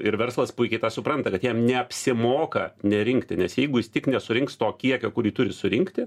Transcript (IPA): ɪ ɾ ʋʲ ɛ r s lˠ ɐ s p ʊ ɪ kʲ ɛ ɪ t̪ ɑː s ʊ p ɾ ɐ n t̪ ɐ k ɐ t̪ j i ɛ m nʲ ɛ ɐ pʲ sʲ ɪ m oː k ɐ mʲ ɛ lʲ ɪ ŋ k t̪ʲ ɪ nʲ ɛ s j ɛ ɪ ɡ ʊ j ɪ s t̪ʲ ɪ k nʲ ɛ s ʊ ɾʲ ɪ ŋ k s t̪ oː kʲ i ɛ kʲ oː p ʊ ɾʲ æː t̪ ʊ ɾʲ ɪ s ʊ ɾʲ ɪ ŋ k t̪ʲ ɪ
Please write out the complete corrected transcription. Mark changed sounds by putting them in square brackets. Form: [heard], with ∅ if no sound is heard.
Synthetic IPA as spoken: ɪ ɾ ʋʲ ɛ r s lˠ ɐ s p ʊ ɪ kʲ ɛ ɪ t̪ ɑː s ʊ p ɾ ɐ n t̪ ɐ k ɐ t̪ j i ɛ m nʲ ɛ ɐ pʲ sʲ ɪ m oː k ɐ [nʲ] ɛ [ɾʲ] ɪ ŋ k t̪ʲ ɪ nʲ ɛ s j ɛ ɪ ɡ ʊ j ɪ s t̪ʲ ɪ k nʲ ɛ s ʊ ɾʲ ɪ ŋ k s t̪ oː kʲ i ɛ kʲ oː [k] ʊ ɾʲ [iː] t̪ ʊ ɾʲ ɪ s ʊ ɾʲ ɪ ŋ k t̪ʲ ɪ